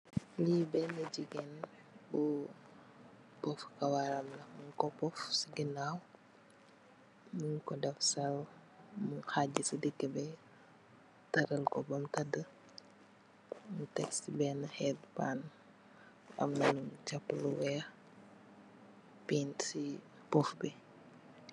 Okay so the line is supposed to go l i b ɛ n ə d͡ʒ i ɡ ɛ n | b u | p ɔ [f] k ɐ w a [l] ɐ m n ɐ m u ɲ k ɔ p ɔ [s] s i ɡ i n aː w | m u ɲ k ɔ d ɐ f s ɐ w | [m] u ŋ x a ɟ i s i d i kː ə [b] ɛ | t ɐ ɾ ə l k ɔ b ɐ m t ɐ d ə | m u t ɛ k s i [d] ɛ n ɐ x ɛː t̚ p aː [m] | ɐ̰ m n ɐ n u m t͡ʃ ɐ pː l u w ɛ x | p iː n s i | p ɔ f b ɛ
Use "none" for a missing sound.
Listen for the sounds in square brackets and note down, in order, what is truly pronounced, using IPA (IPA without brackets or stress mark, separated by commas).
f, ɾ, f, m, b, b, n